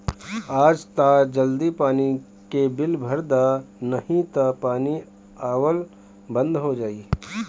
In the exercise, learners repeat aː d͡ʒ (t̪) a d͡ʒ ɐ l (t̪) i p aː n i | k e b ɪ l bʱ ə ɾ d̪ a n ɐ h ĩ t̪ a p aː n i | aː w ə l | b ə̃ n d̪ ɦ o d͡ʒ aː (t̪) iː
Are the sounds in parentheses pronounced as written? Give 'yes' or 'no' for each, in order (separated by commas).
yes, no, no